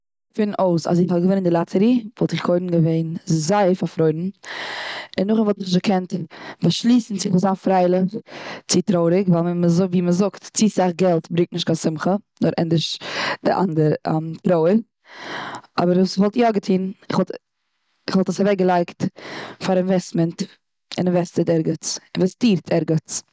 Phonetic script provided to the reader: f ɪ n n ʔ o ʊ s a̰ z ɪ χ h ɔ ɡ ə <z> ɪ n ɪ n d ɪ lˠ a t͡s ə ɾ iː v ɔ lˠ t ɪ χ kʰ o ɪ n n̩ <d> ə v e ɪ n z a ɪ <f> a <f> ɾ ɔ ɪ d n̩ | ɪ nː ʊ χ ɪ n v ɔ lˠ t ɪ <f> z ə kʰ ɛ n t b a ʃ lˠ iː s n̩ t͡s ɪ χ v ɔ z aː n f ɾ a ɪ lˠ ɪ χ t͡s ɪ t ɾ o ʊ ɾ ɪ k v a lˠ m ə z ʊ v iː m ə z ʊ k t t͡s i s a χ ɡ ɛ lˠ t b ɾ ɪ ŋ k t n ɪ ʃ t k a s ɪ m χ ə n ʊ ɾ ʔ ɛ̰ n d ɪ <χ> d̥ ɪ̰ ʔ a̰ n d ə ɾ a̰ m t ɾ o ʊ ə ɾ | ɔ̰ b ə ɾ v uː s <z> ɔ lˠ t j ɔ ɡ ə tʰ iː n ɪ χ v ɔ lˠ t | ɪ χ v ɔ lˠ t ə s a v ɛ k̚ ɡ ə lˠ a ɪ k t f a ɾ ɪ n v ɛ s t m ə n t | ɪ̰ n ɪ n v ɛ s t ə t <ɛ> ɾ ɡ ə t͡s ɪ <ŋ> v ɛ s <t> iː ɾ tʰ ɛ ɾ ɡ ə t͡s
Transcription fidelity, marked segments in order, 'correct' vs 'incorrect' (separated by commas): incorrect, incorrect, correct, correct, incorrect, incorrect, incorrect, correct, incorrect, correct